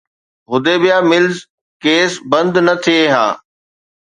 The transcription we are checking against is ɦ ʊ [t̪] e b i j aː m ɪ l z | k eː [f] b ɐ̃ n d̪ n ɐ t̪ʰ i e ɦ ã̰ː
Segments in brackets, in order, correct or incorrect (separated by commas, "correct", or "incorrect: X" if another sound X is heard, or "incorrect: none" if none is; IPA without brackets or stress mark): incorrect: d̪, incorrect: s